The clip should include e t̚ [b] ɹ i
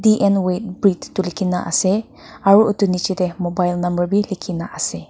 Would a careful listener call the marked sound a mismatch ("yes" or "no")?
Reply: no